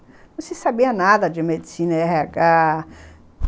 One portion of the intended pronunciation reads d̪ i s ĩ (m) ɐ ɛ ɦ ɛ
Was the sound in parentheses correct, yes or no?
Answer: no